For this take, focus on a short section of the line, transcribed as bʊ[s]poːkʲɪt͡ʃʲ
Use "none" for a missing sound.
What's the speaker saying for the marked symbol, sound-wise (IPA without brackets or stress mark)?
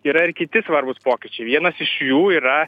s